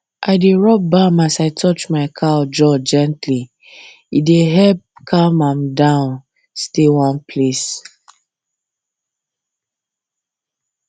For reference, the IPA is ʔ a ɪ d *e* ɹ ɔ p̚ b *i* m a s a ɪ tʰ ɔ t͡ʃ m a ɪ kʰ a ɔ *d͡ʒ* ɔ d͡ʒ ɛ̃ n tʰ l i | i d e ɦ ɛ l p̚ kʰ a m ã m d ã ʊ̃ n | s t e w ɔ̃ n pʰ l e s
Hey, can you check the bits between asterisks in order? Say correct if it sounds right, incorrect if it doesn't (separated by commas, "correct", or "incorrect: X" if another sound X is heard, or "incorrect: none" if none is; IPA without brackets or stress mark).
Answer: correct, incorrect: a, correct